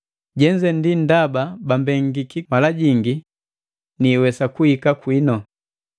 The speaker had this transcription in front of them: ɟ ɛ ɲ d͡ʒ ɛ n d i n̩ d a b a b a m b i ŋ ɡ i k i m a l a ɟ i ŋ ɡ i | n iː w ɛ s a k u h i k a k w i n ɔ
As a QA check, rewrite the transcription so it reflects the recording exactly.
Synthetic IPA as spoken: ɟ ɛ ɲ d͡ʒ ɛ n d i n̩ d a b a b a m b ɛ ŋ ɡ i k i m a l a ɟ i ŋ ɡ i | n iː w ɛ s a k u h i k a k w i n ɔ